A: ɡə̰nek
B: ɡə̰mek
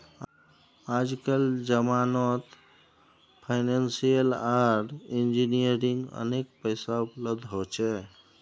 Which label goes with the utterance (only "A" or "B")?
A